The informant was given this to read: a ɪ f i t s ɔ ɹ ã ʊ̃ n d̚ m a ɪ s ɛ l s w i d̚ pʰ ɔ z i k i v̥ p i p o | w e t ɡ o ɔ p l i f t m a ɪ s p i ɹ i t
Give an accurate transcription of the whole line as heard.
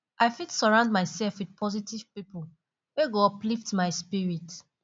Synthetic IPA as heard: a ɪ f i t s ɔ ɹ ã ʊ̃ n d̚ m a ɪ s ɛ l f w i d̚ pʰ ɔ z i t i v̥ p i p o | w e ɡ o ɔ p l i f t m a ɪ s p i ɹ i t